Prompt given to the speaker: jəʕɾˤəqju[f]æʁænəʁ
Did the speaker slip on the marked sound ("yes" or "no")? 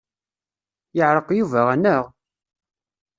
yes